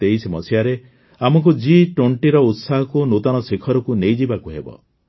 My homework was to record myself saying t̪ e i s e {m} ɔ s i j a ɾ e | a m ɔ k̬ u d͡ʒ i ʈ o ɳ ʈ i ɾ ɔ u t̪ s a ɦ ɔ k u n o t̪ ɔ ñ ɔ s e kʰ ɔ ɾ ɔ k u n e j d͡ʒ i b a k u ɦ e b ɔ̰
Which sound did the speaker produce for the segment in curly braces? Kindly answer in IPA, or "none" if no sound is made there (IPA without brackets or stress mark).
m